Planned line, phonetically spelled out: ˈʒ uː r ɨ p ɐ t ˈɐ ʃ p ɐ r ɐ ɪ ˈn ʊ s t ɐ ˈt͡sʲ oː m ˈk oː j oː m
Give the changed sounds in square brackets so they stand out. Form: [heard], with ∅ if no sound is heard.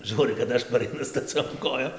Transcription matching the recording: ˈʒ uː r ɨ [k] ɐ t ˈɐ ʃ p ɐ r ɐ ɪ ˈn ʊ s t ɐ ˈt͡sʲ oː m ˈk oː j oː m